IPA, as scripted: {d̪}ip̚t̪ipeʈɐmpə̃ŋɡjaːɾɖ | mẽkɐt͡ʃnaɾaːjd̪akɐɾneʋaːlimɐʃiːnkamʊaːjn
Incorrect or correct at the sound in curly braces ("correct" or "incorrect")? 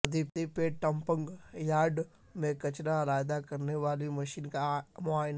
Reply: correct